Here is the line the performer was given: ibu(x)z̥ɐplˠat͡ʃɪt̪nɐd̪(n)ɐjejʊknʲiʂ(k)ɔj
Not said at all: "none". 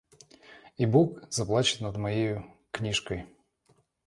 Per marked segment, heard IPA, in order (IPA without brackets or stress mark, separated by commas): k, m, k